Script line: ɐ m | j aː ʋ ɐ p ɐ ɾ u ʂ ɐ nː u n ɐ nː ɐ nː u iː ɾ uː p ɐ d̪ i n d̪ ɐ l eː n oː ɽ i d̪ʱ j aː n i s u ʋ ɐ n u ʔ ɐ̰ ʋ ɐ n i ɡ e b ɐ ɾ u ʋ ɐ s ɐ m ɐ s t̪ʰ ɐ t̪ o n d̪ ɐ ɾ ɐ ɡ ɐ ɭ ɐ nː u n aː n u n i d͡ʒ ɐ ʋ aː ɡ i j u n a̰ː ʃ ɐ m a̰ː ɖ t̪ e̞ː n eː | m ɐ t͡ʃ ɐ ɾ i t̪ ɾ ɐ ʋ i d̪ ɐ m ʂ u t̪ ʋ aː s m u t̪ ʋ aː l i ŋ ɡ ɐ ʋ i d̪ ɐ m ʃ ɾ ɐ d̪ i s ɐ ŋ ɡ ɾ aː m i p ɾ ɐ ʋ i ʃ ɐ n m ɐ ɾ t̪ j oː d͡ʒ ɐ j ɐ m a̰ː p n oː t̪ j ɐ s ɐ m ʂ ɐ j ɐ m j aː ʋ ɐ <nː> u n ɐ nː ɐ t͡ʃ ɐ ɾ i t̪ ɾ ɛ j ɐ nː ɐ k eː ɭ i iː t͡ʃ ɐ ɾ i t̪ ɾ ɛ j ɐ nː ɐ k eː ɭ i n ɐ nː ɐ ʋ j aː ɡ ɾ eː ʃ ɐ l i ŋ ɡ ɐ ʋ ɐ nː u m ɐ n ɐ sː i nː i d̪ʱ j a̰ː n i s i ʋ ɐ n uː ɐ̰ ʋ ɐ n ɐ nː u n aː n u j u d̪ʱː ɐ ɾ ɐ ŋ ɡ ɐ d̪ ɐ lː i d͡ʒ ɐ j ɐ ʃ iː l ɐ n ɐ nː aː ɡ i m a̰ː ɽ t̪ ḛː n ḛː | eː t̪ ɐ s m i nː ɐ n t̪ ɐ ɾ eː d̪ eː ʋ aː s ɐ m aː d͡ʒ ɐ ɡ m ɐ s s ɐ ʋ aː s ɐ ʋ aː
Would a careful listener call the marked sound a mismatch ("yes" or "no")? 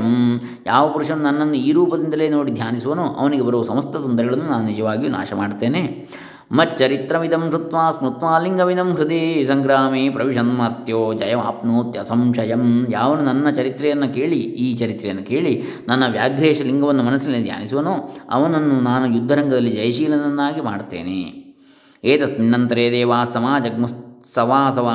yes